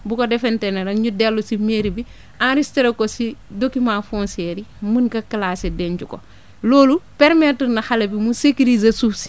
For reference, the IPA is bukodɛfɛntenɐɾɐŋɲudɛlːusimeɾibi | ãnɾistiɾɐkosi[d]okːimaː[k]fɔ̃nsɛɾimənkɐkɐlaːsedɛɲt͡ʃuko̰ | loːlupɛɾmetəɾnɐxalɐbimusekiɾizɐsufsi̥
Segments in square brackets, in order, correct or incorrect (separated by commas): correct, incorrect